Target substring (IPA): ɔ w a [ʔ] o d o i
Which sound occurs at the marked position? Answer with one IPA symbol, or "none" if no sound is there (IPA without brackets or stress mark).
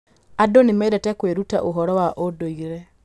ʔ